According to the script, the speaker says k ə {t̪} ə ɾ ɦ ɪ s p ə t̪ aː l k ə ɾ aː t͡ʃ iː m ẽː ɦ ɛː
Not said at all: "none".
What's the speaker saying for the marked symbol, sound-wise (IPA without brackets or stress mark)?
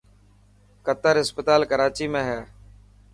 t̪